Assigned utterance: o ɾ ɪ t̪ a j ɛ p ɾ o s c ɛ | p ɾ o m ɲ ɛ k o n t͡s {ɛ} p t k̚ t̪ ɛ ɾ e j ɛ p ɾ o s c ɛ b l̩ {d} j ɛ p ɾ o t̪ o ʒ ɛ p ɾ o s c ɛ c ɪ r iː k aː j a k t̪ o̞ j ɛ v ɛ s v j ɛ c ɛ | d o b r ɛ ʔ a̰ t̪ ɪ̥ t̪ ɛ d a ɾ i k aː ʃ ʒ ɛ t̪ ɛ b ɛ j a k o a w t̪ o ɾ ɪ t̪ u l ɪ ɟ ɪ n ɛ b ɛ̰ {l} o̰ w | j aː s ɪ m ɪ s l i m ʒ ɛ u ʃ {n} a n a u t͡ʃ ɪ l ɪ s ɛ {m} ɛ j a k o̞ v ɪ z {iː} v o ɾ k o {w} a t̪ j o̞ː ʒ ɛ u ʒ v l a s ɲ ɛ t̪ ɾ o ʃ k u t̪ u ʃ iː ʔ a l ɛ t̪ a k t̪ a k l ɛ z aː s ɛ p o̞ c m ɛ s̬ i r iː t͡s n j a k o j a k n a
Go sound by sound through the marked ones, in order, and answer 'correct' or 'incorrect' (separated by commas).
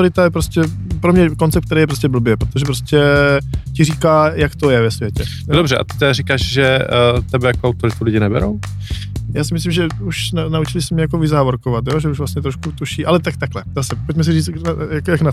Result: correct, incorrect, incorrect, correct, correct, incorrect, incorrect